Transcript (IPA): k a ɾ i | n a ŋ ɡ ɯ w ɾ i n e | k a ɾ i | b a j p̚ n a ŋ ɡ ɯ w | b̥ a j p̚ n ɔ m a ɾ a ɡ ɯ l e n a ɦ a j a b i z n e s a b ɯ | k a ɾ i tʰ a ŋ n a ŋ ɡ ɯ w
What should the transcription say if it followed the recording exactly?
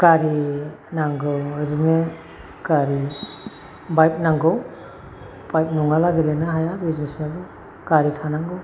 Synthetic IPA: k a ɾ i | n a ŋ ɡ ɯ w ɾ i n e | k a ɾ i | b a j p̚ n a ŋ ɡ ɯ w | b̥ a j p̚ n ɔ ŋ a l a ɡ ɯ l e n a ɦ a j a b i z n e s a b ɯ | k a ɾ i tʰ a n a ŋ ɡ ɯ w